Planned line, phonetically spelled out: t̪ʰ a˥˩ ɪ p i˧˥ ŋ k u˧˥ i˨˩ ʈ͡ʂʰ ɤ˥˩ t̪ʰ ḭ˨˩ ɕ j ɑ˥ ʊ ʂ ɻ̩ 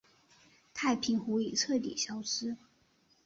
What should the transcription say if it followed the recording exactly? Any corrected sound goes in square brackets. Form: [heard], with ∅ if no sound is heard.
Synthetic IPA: t̪ʰ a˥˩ ɪ [pʰ] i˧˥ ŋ [x] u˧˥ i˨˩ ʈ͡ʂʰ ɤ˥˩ [t̪] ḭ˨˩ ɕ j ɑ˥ ʊ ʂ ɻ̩